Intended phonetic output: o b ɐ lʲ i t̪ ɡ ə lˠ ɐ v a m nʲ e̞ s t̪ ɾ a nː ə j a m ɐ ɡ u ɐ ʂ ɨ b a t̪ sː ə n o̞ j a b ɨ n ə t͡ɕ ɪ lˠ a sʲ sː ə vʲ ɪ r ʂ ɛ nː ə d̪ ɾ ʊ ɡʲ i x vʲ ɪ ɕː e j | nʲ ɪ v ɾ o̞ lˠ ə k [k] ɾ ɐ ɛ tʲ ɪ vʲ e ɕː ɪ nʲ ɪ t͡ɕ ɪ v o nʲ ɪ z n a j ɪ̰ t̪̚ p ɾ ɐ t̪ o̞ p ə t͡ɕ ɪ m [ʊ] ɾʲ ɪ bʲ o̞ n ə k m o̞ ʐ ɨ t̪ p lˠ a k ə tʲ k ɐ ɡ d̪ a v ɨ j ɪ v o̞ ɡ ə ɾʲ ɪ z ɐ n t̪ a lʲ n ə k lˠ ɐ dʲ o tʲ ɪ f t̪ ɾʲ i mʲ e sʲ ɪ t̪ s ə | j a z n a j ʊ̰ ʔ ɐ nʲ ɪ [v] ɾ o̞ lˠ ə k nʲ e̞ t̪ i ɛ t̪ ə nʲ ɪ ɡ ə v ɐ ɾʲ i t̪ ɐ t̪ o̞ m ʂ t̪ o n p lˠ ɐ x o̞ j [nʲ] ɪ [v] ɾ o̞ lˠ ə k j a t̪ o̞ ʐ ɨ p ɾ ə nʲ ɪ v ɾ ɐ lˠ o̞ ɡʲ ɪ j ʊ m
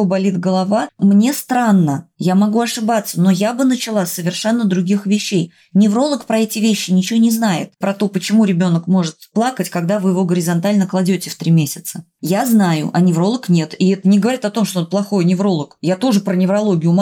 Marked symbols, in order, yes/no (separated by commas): no, no, yes, yes, yes